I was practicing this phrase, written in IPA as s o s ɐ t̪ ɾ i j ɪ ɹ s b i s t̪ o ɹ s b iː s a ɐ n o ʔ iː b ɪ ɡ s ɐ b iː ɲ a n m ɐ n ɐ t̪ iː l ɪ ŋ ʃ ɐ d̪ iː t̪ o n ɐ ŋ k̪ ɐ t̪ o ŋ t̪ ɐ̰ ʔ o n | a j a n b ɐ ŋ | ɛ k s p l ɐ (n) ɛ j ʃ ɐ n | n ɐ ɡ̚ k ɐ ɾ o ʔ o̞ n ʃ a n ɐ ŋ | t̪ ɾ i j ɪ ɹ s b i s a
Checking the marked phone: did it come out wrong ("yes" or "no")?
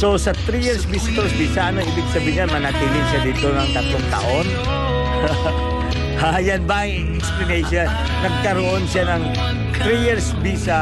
no